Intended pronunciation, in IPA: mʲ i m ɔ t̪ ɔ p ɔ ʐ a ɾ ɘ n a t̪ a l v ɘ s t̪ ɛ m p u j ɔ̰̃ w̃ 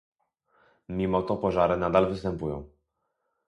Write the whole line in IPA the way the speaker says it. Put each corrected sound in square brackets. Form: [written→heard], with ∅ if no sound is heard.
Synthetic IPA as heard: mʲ i m ɔ t̪ ɔ p ɔ ʐ a ɾ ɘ n a [t̪→d̪] a l v ɘ s t̪ ɛ m p u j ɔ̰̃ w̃